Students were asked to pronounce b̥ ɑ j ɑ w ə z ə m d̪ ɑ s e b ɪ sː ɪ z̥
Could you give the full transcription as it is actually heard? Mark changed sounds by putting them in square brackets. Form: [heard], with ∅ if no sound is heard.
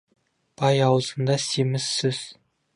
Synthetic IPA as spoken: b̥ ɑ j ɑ w ə z ə [n] d̪ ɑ s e [m] ɪ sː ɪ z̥